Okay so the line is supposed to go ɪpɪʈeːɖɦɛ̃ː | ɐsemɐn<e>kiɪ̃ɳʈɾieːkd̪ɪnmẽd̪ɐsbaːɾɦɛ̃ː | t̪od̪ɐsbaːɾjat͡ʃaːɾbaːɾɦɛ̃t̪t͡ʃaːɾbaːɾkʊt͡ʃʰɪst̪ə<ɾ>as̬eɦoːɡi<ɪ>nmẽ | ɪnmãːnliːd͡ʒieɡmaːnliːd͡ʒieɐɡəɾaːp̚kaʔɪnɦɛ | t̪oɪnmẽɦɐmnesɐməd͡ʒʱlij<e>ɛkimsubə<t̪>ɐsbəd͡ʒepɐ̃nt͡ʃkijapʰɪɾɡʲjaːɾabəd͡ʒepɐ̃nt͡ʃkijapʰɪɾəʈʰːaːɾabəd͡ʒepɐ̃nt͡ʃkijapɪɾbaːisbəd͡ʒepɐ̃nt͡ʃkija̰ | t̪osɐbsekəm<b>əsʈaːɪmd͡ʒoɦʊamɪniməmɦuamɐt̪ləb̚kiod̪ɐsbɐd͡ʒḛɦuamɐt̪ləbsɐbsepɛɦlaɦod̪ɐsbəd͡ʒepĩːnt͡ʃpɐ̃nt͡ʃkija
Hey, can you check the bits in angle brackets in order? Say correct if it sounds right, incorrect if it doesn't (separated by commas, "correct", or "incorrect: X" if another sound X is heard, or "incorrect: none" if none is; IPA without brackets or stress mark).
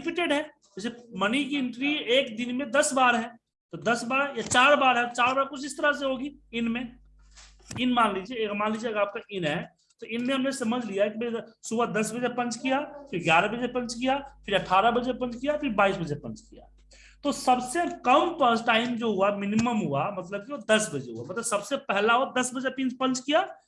incorrect: i, correct, correct, incorrect: a, incorrect: d̪, incorrect: p